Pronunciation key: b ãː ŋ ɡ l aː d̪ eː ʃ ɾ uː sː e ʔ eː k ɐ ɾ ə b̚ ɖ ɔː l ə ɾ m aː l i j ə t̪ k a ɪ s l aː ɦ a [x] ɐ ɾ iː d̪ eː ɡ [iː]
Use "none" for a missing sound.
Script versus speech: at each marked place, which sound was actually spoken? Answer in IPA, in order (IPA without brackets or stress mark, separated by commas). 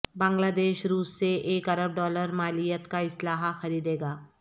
x, aː